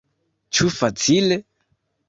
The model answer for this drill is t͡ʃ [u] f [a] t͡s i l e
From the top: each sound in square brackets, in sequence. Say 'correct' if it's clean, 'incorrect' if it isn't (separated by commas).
correct, correct